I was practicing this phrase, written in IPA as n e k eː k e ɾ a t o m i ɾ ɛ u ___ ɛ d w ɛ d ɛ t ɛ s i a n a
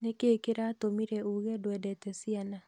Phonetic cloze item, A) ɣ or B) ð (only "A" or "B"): A